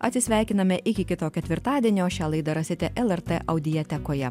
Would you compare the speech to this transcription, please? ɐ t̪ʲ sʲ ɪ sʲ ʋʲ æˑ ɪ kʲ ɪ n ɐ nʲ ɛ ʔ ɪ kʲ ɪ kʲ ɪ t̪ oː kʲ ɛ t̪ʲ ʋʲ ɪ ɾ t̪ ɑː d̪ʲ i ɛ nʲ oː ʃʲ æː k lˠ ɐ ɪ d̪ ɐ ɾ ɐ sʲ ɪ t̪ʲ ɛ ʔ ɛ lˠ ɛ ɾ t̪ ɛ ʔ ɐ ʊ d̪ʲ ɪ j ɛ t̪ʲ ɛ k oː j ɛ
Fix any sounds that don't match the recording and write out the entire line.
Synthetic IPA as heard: ɐ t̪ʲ sʲ ɪ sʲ ʋʲ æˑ ɪ kʲ ɪ n ɐ mʲ ɛ ʔ ɪ kʲ ɪ kʲ ɪ t̪ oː kʲ ɛ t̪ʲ ʋʲ ɪ ɾ t̪ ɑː d̪ʲ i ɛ nʲ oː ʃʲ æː lˠ ɐ ɪ d̪ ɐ ɾ ɐ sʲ ɪ t̪ʲ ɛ ʔ ɛ lˠ ɛ ɾ t̪ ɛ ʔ ɐ ʊ d̪ʲ ɪ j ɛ t̪ʲ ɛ k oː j ɛ